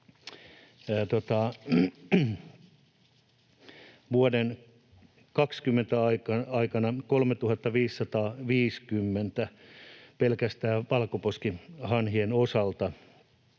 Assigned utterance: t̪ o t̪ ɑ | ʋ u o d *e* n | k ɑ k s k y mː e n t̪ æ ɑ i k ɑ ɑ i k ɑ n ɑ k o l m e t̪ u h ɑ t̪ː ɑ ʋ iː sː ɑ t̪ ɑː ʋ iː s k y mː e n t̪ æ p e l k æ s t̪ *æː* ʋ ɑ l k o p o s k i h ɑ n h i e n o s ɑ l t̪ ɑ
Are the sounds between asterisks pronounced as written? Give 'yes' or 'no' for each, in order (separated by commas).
yes, yes